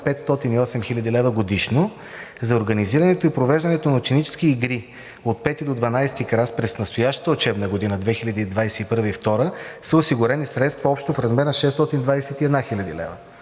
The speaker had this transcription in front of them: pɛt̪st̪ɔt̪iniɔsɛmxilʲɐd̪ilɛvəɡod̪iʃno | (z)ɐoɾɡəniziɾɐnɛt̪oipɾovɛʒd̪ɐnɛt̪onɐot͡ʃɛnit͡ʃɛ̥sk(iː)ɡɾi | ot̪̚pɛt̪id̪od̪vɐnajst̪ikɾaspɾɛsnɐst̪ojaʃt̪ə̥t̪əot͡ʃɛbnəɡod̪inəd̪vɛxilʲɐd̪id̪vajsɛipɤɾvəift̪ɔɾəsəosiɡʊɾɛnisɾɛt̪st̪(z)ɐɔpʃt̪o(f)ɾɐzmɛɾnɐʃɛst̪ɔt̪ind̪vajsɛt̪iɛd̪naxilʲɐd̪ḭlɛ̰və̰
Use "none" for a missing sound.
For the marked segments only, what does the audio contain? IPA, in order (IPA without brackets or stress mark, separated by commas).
z, iː, v, f